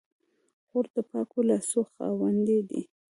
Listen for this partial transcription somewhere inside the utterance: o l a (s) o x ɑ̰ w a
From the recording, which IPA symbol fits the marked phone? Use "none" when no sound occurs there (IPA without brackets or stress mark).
s